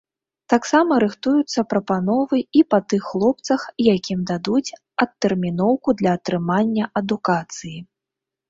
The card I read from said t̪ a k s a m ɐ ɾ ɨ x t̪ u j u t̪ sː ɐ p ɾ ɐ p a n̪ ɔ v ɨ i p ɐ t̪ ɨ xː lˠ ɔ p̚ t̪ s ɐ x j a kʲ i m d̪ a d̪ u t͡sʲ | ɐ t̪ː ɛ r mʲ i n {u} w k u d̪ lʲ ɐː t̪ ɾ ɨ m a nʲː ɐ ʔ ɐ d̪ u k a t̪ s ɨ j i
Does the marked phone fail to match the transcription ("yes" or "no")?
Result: yes